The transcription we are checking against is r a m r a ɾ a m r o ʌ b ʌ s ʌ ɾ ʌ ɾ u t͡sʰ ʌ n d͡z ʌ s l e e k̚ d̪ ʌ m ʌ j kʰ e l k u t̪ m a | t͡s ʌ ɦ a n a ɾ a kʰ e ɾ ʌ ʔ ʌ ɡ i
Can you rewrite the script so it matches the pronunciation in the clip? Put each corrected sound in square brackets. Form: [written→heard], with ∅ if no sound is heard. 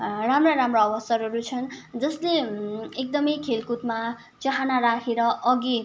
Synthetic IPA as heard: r a m r a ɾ a m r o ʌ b ʌ s ʌ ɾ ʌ ɾ u t͡sʰ ʌ n d͡z ʌ s l e e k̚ d̪ ʌ m ʌ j kʰ e l k u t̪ m a | t͡s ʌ ɦ a n a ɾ a kʰ e ɾ ʌ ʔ ʌ ɡ i